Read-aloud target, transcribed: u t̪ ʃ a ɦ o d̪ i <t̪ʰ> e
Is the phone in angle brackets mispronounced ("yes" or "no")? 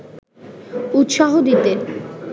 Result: yes